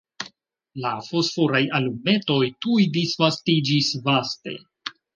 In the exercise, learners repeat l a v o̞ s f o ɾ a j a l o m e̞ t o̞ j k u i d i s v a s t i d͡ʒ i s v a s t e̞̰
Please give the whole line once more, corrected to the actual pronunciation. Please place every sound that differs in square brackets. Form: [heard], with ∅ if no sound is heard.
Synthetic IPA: l a [f] o̞ s f o ɾ a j a l [u] m e̞ t o̞ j [t] u [j] d i s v a s t i d͡ʒ i s v a s t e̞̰